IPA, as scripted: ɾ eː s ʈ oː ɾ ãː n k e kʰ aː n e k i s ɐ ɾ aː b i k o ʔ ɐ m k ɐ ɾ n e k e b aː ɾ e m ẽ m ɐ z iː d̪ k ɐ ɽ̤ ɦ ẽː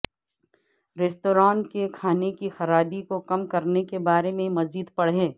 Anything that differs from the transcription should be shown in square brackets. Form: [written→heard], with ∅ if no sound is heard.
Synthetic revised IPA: ɾ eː s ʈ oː ɾ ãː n k e kʰ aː n e k i [s→x] ɐ ɾ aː b i k o [ʔ→k] ɐ m k ɐ ɾ n e k e b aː ɾ e m ẽ m ɐ z iː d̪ [k→p] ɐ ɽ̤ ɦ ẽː